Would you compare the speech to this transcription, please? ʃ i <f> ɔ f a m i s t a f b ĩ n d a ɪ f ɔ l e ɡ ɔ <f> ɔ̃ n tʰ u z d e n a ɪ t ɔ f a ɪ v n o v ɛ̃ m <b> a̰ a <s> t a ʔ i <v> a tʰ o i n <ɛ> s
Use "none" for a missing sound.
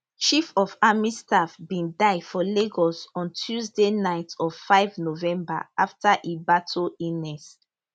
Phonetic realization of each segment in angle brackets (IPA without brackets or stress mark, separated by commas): f, s, b, f, b, ɛ